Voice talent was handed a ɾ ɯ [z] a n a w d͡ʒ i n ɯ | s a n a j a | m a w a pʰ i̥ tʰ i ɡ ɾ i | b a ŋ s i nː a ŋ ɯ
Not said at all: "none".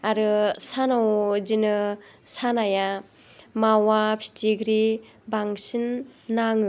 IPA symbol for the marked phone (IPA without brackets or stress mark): s